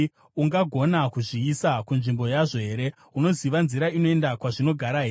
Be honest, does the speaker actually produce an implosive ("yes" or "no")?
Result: no